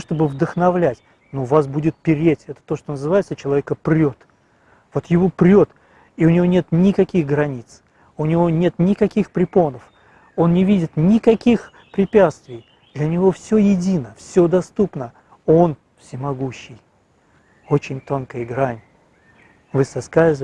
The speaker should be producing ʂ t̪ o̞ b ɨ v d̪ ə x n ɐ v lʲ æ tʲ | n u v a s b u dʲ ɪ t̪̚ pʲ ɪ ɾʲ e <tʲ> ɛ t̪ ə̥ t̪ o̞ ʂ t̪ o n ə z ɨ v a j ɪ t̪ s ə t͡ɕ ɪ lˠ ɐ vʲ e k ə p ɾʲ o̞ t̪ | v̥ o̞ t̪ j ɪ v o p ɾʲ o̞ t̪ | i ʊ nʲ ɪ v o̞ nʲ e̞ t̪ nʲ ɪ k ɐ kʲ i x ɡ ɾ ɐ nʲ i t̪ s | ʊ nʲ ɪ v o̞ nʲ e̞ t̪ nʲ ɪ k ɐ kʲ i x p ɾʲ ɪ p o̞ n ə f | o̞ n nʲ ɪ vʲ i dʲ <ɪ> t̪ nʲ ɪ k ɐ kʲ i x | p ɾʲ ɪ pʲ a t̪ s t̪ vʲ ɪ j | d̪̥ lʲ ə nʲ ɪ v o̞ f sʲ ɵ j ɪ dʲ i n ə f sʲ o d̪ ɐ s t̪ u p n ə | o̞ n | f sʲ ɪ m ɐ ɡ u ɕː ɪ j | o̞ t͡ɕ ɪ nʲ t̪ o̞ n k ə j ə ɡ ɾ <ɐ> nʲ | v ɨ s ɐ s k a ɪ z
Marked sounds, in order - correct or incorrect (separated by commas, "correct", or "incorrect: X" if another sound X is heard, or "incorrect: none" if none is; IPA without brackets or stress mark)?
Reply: correct, correct, incorrect: a